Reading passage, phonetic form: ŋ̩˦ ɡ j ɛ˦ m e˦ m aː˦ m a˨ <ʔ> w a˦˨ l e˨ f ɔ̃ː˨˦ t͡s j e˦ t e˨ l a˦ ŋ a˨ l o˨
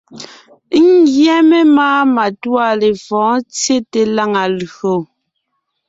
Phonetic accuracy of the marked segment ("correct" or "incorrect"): incorrect